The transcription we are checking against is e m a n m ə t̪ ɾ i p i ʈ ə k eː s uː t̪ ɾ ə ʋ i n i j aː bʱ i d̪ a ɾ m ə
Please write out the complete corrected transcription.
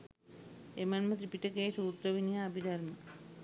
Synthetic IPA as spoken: e m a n m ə t̪ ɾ i p i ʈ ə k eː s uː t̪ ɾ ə ʋ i n i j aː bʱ i d̪ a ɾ m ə

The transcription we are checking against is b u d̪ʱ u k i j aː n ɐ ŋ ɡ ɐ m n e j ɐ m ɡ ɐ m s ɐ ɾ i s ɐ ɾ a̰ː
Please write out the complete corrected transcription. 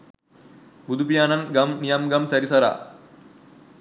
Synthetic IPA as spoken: b u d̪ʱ u p i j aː n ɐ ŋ ɡ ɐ m n i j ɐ m ɡ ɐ m s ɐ ɾ i s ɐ ɾ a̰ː

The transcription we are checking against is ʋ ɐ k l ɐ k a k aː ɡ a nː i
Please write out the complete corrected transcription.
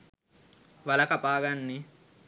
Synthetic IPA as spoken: ʋ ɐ l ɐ k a p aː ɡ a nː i

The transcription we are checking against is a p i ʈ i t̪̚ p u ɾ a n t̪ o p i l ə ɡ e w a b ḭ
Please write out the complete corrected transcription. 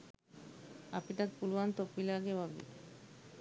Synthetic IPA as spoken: a p i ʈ a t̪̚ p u l a n t̪ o p i l a ɡ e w a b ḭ

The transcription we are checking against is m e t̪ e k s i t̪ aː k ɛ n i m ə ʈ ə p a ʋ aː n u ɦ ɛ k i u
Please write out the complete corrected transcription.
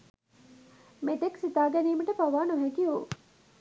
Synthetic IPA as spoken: m e t̪ e k s i t̪ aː ɡ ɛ n iː m ə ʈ ə p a ʋ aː n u ɦ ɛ k i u

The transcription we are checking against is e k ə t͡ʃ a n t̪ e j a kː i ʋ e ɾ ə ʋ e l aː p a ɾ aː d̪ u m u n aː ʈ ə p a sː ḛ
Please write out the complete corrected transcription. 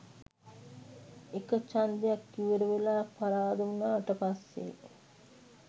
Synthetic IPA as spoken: e k ə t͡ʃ a n d̪ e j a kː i ʋ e ɾ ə ʋ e l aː p a ɾ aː d̪ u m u n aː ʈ ə p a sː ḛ

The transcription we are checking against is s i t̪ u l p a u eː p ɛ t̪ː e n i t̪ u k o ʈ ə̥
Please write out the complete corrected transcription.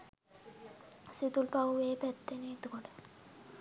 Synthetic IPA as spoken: s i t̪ u l p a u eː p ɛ t̪ː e n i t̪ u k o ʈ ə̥

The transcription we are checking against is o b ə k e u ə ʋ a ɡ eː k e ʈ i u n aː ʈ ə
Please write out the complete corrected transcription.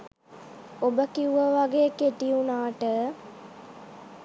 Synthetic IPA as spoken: o b ə k i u ə ʋ a ɡ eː k e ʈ i u n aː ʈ ə

